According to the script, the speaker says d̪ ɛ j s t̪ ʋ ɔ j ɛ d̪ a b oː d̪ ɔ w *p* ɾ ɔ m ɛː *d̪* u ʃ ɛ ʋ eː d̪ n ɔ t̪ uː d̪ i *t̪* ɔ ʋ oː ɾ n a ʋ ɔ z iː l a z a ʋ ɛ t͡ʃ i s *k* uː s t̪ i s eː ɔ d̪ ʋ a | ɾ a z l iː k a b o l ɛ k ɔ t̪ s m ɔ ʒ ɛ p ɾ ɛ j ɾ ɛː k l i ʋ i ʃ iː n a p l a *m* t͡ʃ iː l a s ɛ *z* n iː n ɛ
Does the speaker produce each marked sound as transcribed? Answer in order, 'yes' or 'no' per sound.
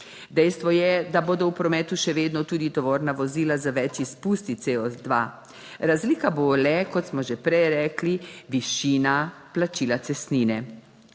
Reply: yes, no, yes, no, no, no

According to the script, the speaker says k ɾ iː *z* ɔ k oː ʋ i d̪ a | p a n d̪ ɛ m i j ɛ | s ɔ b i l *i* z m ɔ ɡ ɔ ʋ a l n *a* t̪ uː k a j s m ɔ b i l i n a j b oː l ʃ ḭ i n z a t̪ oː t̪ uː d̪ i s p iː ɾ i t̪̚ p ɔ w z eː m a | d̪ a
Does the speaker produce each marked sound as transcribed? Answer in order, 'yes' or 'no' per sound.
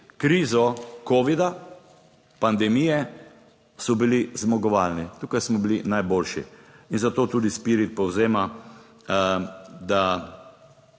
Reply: yes, yes, no

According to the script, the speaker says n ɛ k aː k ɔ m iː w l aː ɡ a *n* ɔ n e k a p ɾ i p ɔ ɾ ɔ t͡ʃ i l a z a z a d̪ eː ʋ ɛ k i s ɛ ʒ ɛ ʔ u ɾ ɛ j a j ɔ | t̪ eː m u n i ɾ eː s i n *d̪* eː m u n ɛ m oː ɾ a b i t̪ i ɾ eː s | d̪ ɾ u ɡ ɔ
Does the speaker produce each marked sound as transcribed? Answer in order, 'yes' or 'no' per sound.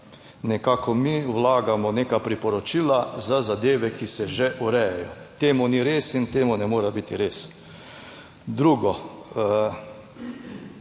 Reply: no, no

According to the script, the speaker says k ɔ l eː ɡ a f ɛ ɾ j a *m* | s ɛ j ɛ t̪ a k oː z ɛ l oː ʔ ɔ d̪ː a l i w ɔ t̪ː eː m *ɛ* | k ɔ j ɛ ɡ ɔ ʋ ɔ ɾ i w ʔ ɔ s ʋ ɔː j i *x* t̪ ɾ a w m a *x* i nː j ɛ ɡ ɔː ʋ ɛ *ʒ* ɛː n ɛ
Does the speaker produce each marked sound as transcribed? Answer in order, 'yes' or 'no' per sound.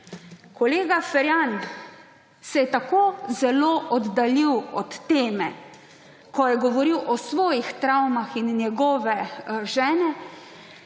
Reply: no, yes, yes, yes, yes

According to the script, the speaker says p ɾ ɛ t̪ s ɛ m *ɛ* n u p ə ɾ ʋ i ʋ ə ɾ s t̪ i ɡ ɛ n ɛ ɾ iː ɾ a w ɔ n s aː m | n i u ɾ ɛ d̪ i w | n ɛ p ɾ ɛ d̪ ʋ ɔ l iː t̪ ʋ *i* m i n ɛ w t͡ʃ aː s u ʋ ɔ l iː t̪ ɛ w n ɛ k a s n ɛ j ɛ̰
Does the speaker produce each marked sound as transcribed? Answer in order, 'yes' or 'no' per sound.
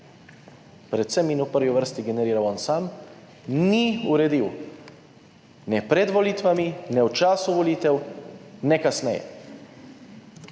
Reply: no, no

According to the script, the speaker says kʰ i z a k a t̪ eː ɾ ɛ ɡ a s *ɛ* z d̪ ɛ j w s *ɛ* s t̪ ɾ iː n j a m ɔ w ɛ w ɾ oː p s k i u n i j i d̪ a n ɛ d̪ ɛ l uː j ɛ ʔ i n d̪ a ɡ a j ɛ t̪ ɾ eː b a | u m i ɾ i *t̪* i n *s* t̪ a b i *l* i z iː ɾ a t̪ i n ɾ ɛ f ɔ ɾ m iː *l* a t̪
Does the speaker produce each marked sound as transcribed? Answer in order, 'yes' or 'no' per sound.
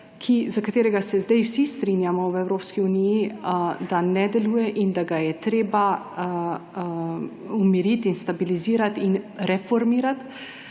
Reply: yes, no, yes, yes, yes, no

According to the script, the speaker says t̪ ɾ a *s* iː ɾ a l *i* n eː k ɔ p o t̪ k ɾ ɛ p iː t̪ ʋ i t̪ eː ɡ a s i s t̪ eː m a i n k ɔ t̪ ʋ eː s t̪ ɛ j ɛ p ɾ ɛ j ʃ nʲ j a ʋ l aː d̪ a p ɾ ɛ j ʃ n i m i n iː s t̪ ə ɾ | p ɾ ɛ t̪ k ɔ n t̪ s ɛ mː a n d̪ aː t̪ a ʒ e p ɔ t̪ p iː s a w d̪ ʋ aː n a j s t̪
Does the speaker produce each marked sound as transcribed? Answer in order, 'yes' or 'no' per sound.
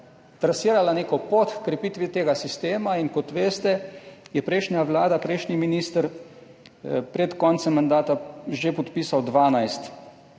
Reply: yes, no

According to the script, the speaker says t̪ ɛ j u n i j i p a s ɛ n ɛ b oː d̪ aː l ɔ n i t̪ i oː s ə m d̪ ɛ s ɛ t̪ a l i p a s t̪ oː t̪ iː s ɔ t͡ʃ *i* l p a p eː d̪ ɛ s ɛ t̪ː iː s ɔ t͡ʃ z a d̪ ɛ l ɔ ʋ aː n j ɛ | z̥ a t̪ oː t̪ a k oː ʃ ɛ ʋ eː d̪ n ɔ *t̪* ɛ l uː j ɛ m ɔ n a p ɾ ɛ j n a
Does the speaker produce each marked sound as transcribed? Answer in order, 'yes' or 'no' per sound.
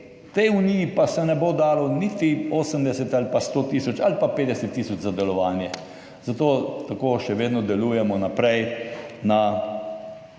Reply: no, no

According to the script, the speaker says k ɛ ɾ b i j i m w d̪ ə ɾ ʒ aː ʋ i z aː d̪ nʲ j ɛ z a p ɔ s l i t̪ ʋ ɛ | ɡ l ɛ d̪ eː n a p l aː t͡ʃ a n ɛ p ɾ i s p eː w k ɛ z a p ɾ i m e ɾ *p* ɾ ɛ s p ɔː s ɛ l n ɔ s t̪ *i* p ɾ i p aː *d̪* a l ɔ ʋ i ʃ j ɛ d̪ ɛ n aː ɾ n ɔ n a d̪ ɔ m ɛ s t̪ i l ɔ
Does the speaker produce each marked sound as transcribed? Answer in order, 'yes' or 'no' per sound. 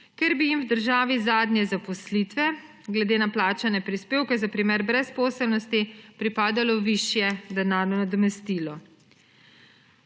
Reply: no, yes, yes

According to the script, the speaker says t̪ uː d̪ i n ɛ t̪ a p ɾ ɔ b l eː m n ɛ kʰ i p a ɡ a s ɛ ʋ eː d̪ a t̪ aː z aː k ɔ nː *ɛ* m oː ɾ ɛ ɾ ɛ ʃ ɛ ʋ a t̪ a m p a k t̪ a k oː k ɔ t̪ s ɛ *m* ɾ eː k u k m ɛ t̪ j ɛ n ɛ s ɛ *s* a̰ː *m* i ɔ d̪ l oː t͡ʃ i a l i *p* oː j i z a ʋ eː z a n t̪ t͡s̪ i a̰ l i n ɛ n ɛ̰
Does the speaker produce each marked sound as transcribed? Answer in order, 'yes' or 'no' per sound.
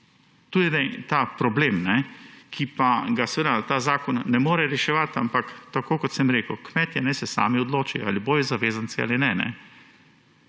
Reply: yes, yes, yes, yes, no

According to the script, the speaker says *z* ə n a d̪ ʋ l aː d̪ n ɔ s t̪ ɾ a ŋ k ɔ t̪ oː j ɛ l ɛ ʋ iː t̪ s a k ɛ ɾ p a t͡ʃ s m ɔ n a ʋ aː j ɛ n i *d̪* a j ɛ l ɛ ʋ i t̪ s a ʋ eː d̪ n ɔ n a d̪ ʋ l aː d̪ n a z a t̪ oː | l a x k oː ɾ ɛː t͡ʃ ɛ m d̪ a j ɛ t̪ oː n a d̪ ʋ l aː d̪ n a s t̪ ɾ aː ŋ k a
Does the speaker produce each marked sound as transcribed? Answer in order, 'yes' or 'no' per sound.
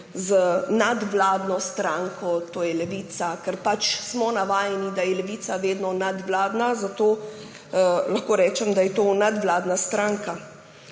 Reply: yes, yes

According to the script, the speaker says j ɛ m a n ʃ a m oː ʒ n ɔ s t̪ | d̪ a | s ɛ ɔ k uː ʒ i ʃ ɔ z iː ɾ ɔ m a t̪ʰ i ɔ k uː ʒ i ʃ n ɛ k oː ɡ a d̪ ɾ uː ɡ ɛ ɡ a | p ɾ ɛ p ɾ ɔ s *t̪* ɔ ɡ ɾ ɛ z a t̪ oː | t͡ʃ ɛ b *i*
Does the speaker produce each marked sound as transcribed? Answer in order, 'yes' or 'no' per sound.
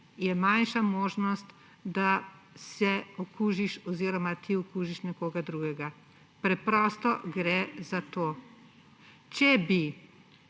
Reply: yes, yes

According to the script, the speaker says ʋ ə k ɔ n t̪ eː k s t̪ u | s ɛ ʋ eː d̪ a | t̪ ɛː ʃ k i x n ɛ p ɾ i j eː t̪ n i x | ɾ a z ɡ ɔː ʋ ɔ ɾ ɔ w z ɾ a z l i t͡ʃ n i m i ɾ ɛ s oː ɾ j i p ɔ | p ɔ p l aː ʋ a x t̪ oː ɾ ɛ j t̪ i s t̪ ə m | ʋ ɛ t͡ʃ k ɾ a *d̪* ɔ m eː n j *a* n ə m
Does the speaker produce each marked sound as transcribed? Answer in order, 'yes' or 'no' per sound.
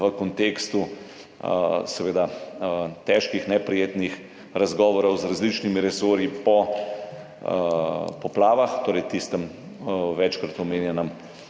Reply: no, no

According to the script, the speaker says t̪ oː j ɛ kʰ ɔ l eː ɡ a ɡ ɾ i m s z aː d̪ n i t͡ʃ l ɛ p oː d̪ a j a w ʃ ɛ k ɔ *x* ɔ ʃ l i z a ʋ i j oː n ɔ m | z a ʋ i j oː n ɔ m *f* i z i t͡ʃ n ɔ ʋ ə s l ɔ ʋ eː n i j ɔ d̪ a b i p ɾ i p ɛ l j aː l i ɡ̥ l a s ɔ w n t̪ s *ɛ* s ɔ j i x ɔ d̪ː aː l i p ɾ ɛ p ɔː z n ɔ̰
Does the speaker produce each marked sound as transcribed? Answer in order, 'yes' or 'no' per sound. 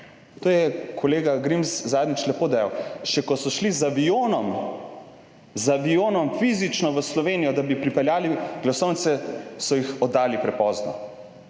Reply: no, yes, yes

